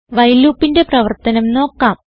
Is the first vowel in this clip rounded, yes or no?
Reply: no